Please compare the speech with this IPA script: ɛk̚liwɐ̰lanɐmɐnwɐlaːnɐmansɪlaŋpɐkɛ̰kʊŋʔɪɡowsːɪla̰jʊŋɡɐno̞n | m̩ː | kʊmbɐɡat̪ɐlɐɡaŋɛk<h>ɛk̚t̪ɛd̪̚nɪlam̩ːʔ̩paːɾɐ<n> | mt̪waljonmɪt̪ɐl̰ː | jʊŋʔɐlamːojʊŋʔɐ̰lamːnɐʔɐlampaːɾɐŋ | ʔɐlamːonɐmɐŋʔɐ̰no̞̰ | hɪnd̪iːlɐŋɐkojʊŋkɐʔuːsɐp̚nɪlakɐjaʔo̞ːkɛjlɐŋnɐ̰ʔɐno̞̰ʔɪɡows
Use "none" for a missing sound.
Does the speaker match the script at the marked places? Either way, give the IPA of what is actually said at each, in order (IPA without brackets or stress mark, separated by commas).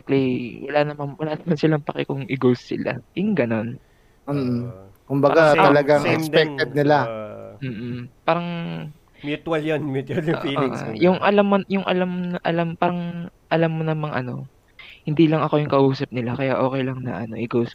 s, ŋ